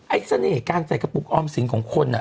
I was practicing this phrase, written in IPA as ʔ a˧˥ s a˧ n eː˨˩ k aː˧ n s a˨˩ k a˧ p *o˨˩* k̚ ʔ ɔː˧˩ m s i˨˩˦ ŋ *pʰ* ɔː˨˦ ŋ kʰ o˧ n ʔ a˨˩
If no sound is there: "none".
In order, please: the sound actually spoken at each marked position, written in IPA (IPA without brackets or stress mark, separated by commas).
u˨˩, kʰ